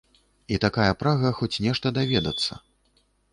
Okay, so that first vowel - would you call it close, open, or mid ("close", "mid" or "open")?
close